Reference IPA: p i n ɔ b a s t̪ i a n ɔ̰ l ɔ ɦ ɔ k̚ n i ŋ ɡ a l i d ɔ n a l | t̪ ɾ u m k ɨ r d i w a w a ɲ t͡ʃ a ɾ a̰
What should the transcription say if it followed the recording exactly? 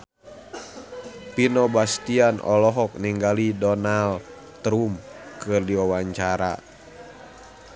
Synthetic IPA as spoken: p i n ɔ b a s t̪ i a n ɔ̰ l ɔ ɦ ɔ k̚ n i ŋ ɡ a l i d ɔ n a l | t̪ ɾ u m k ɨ r d i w a w a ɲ t͡ʃ a ɾ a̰